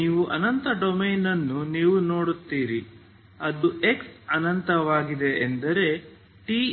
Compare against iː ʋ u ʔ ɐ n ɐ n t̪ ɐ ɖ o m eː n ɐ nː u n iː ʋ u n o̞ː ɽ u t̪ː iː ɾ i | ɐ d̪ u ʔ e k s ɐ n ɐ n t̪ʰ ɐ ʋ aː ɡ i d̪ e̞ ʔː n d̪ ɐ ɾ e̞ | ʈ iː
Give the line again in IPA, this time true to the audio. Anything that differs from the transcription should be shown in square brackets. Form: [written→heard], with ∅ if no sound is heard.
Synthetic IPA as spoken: iː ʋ u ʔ ɐ n ɐ n t̪ ɐ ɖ o m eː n ɐ nː u n iː ʋ u n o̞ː ɽ u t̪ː iː ɾ i | ɐ d̪ u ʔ e k s ɐ n ɐ n [t̪ʰ→t̪] ɐ ʋ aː ɡ i d̪ e̞ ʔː n d̪ ɐ ɾ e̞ | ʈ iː

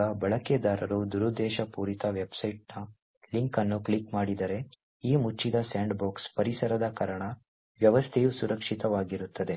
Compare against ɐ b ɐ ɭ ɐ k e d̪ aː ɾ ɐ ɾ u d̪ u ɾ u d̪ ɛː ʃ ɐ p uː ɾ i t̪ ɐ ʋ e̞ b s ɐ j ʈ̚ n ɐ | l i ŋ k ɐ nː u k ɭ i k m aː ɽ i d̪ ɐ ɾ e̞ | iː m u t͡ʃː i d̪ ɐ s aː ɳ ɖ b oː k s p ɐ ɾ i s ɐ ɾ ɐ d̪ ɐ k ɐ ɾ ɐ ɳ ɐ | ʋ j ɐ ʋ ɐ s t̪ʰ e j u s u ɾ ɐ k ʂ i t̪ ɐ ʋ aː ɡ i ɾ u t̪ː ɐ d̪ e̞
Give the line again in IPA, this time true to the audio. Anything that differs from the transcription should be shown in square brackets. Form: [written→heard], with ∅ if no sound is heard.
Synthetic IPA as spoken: ɐ b ɐ ɭ ɐ k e d̪ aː ɾ ɐ ɾ u d̪ u ɾ u d̪ ɛː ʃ ɐ p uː ɾ i t̪ ɐ ʋ e̞ b s ɐ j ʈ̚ n ɐ | l i ŋ k ɐ nː u k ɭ i k m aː ɽ i d̪ ɐ ɾ e̞ | iː m u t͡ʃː i d̪ ɐ s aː ɳ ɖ b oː k s p ɐ ɾ i s ɐ ɾ ɐ d̪ ɐ k ɐ ɾ ɐ ɳ ɐ | ʋ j ɐ ʋ ɐ s t̪ʰ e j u s u ɾ ɐ k ʂ i t̪ ɐ ʋ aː ɡ i ɾ u t̪ː ɐ d̪ e̞

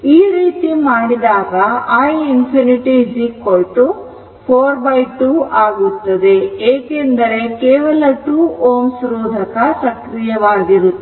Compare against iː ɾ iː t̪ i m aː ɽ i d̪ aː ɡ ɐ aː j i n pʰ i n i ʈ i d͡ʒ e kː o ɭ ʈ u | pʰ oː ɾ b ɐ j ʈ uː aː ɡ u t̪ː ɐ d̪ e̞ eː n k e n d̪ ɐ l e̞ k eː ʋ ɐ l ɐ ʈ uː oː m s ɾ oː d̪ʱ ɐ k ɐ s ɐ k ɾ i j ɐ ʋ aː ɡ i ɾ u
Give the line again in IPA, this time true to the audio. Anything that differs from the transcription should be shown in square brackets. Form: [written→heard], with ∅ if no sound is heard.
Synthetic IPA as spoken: iː ɾ iː t̪ i m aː ɽ i d̪ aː ɡ ɐ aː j i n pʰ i n i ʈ i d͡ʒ [e→i] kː o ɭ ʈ u | pʰ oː ɾ b ɐ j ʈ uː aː ɡ u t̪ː ɐ d̪ e̞ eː [n→∅] k e n d̪ ɐ [l→ɾ] e̞ k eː ʋ ɐ l ɐ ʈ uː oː m s ɾ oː d̪ʱ ɐ k ɐ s ɐ k ɾ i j ɐ ʋ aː ɡ i ɾ u

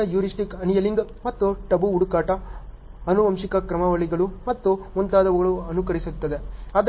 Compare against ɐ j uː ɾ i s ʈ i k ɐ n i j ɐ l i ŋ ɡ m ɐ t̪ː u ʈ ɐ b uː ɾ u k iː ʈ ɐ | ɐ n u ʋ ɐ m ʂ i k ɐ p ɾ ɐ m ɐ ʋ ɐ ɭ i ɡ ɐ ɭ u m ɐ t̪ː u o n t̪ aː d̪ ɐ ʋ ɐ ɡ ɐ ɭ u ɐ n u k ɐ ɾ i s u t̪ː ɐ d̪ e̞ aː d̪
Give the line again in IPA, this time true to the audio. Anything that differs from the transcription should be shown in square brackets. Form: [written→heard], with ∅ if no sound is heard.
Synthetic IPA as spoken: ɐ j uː ɾ i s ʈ i k ɐ n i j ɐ l i ŋ ɡ m ɐ t̪ː u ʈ ɐ b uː [ɾ→ɽ] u k [iː→aː] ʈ ɐ | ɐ n u ʋ ɐ m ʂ i k ɐ [p→k] ɾ ɐ m ɐ ʋ ɐ ɭ i ɡ ɐ ɭ u m ɐ t̪ː u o n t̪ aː d̪ ɐ ʋ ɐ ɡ ɐ ɭ u ɐ n u k ɐ ɾ i s u t̪ː ɐ d̪ e̞ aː d̪

